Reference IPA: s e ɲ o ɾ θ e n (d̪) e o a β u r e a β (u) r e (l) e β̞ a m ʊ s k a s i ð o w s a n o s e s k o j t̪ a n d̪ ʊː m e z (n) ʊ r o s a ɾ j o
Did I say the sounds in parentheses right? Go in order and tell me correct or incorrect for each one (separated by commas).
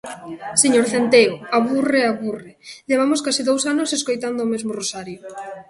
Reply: incorrect, correct, incorrect, incorrect